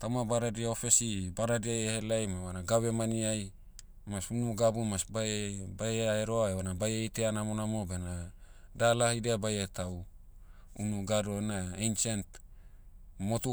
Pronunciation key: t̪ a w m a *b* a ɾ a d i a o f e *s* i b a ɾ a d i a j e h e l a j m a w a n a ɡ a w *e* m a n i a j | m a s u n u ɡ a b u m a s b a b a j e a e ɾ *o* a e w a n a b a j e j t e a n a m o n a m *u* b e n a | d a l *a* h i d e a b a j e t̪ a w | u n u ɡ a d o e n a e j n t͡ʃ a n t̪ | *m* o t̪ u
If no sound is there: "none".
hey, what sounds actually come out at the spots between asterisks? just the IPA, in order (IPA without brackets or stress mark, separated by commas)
b, s, e, o, o, a, m